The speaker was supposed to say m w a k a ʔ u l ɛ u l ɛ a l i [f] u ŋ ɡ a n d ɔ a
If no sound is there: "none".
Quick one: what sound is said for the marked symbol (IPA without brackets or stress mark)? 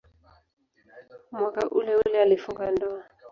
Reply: f